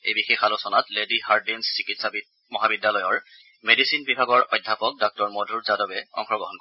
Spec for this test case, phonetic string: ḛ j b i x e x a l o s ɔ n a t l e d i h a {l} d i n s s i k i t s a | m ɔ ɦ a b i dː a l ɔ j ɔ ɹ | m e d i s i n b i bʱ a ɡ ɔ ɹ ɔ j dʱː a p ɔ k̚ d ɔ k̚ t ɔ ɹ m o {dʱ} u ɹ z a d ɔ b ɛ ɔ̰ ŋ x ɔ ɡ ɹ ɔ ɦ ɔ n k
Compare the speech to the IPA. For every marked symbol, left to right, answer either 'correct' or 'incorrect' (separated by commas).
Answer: incorrect, correct